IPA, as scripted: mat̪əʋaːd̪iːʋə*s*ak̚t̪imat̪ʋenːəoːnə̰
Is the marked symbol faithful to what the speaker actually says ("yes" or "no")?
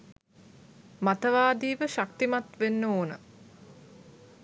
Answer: no